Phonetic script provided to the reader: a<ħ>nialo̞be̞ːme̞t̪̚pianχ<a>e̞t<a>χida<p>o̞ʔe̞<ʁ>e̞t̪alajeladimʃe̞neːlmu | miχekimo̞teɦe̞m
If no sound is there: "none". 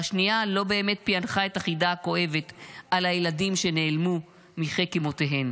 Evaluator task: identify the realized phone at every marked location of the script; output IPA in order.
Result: ʃ, a, a, k, v

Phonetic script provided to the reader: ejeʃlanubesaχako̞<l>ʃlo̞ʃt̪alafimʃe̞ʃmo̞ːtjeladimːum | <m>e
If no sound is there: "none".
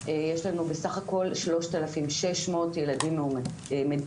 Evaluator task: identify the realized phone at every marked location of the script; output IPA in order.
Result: l, m

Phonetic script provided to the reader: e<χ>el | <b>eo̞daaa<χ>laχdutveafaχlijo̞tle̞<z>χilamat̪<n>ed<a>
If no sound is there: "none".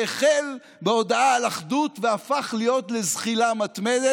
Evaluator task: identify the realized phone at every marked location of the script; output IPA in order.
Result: χ, b, none, z, m, e

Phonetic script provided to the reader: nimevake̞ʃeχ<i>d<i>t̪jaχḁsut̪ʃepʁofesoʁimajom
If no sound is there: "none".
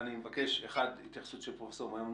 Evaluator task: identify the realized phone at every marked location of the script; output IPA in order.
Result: a, i

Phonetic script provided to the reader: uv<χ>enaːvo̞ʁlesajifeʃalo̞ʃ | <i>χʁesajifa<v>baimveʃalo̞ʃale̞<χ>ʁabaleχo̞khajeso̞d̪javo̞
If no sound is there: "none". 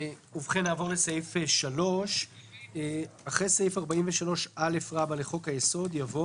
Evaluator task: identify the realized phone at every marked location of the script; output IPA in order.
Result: χ, a, ʁ, f

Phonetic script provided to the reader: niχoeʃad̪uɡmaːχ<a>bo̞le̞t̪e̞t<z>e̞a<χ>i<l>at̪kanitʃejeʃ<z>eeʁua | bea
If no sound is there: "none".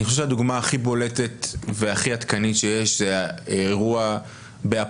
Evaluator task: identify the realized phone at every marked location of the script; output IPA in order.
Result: i, v, χ, none, z

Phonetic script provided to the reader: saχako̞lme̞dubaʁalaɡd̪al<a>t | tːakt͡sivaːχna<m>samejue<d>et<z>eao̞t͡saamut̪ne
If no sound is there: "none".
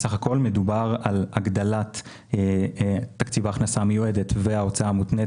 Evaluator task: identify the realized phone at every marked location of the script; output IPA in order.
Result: a, none, d, v

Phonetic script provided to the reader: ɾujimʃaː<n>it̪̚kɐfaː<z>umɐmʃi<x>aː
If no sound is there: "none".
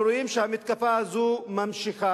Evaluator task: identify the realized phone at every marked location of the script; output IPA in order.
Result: m, z, x

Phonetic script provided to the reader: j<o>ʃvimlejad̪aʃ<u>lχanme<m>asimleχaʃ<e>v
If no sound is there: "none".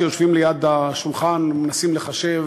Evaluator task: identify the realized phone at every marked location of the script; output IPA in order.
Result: o, u, n, e

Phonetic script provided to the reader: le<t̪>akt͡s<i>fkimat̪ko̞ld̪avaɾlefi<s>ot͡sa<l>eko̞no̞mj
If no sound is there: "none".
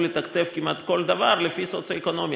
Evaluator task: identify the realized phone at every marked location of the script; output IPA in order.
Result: t̪, e, s, none

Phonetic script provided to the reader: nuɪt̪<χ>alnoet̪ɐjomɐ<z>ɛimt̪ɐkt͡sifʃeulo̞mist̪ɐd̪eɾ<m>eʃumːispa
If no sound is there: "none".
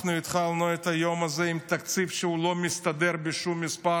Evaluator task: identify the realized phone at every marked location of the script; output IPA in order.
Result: χ, z, b

